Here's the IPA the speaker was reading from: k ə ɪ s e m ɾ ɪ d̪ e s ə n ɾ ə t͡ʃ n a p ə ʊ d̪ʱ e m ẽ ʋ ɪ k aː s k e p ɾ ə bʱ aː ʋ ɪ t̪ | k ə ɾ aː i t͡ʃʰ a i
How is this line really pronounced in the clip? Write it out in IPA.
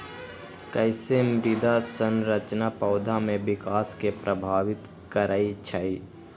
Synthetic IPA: k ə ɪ s e m ɾ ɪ d̪ a s ə n ɾ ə t͡ʃ n a p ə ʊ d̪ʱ a m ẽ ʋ ɪ k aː s k e p ɾ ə bʱ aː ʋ ɪ t̪ | k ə ɾ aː i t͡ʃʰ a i